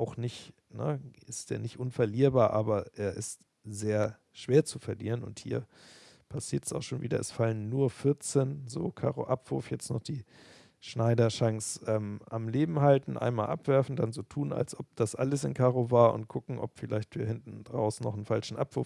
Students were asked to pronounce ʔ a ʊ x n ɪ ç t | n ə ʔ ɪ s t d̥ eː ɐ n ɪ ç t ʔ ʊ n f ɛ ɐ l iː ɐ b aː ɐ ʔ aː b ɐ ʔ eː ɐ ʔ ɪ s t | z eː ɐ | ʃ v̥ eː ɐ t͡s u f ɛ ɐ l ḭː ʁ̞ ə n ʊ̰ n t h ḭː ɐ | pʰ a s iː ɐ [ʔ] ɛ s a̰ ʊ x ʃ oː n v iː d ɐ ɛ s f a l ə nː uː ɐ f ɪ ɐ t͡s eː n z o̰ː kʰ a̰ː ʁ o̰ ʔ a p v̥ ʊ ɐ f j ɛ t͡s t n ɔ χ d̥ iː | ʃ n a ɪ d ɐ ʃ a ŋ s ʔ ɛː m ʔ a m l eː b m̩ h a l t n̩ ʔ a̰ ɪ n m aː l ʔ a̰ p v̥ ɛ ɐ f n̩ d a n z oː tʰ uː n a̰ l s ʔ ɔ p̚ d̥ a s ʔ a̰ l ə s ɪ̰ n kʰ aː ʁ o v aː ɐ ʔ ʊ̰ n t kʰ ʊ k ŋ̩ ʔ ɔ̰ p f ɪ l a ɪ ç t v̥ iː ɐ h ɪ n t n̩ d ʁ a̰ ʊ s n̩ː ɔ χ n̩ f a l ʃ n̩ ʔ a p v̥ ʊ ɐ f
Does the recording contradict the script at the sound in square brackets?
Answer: yes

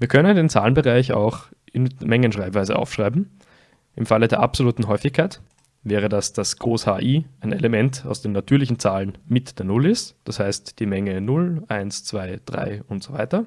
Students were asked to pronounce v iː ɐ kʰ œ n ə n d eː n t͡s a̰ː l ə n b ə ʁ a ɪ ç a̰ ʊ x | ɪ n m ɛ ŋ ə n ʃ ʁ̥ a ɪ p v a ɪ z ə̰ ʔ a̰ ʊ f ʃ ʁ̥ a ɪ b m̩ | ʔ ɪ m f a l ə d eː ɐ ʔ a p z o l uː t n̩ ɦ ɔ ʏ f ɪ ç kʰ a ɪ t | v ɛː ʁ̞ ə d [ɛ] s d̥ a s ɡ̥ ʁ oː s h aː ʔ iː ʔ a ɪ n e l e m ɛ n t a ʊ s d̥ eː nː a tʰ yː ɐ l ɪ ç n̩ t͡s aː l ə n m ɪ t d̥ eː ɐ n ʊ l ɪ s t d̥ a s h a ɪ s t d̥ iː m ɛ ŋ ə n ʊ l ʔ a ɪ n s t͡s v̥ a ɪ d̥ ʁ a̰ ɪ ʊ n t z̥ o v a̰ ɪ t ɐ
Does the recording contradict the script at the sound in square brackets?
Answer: yes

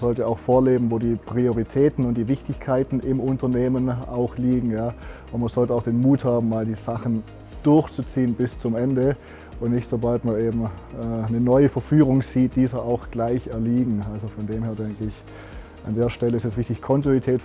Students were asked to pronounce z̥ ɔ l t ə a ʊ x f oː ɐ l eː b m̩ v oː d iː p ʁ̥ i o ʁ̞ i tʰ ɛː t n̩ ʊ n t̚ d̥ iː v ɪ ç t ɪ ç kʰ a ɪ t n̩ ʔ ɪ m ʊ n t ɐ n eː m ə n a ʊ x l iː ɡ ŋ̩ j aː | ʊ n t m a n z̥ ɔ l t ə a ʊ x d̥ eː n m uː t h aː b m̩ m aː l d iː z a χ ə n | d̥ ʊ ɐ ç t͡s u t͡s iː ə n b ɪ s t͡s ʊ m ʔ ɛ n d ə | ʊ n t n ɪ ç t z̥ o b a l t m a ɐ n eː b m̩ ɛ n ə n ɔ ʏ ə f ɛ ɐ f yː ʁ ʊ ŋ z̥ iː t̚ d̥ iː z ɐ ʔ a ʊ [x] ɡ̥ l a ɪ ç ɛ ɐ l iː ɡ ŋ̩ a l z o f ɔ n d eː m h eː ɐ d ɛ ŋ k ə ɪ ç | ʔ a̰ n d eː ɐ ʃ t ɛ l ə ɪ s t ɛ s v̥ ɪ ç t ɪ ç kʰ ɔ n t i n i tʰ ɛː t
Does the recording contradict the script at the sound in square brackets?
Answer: no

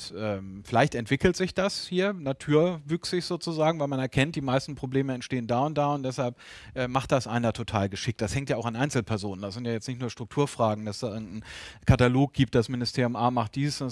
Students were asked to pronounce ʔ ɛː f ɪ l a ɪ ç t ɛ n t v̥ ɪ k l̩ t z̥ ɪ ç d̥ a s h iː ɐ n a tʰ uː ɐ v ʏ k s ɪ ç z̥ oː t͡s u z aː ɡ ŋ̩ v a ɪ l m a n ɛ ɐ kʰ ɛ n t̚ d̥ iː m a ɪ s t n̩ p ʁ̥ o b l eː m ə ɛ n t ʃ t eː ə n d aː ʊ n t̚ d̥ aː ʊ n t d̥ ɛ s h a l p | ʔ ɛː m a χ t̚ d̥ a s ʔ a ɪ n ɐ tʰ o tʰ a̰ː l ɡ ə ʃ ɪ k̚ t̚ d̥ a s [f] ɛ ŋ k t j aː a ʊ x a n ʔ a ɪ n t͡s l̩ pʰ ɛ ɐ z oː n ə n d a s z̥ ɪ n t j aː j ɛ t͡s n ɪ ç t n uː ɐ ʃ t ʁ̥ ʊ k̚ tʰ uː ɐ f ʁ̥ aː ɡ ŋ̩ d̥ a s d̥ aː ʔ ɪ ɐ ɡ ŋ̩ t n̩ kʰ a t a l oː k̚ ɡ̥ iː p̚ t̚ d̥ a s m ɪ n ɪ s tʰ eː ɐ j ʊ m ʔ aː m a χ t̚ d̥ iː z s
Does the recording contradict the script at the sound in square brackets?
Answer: yes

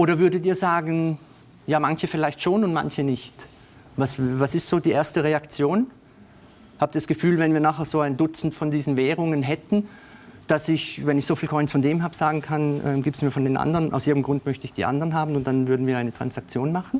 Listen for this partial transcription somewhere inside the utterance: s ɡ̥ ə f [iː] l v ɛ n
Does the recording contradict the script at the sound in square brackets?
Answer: yes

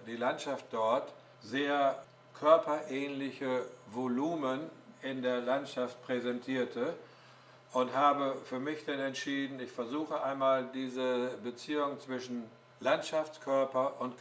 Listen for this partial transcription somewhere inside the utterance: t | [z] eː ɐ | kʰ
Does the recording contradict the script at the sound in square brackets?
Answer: no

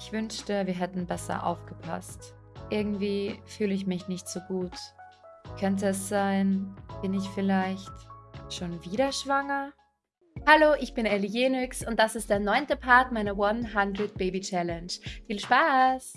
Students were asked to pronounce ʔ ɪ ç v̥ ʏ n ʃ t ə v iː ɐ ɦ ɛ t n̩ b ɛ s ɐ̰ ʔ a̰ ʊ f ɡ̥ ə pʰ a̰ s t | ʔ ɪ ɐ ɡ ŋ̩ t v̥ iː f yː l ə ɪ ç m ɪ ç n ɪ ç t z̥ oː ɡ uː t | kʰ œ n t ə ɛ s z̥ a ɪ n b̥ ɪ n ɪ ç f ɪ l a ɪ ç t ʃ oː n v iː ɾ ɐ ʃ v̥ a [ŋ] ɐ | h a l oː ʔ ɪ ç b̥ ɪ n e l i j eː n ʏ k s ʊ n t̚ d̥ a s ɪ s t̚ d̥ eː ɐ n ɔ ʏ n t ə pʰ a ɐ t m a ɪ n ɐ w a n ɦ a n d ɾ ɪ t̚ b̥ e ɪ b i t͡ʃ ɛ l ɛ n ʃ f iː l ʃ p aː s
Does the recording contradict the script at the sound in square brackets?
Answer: no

